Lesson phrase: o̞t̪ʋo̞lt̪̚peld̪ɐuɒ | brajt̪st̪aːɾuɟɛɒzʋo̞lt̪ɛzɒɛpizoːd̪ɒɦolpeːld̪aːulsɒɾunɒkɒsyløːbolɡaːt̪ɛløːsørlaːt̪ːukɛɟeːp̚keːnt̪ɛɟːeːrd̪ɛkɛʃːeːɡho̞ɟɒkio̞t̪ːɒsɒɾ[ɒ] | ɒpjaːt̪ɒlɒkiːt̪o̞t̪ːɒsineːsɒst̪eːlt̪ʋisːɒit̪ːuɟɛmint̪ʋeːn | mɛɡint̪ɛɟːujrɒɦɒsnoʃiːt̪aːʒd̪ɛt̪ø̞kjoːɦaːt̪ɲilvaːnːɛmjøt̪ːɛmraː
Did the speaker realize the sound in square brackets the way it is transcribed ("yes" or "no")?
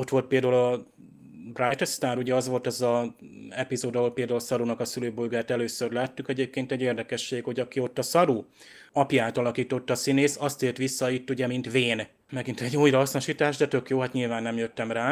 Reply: no